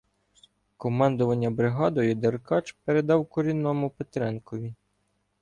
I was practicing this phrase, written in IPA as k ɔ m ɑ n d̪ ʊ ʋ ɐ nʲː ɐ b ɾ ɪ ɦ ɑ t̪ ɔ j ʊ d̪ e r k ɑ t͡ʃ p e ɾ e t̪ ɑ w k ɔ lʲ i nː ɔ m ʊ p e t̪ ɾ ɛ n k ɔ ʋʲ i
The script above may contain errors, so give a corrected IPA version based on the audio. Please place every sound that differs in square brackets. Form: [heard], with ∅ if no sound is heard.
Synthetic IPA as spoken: k ɔ m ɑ n d̪ ʊ ʋ ɐ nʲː ɐ b ɾ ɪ ɦ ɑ [d̪] ɔ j ʊ d̪ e r k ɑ t͡ʃ p e ɾ e [d̪] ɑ w k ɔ [ɾʲ] i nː ɔ m ʊ p e t̪ ɾ ɛ n k ɔ ʋʲ i